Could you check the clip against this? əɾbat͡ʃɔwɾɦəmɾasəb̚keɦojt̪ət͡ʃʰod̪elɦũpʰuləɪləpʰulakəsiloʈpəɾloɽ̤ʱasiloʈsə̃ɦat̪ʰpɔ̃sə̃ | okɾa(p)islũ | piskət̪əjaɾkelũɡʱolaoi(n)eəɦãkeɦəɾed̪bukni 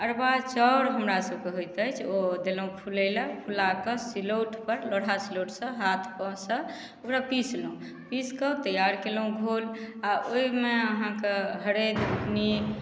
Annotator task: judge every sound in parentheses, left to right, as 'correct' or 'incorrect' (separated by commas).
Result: correct, incorrect